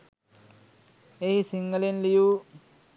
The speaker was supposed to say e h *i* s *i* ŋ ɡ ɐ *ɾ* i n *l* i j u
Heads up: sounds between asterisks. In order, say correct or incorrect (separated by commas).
correct, correct, incorrect, correct